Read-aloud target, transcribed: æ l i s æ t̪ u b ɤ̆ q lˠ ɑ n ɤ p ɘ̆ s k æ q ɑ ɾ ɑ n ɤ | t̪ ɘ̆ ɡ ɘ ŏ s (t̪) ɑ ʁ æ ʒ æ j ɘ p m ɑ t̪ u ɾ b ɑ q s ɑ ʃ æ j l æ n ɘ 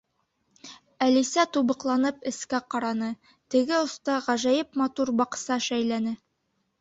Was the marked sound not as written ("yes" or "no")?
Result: no